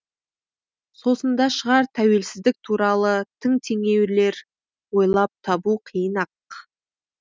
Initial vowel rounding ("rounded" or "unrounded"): rounded